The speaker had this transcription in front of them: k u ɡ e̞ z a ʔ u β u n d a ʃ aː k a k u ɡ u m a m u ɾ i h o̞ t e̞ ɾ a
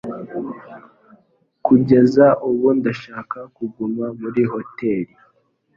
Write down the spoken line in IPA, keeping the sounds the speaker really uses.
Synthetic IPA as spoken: k u ɟ e̞ z a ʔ u β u n d a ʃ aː k a k u ɡ u m a m u ɾ i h o̞ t e̞ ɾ i